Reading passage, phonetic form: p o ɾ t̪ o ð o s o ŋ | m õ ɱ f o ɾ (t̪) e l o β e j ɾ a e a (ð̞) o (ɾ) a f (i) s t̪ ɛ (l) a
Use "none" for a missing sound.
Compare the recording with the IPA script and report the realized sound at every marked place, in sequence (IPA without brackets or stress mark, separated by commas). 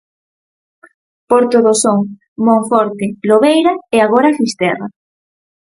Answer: t̪, ɣ̞, ɾ, i, r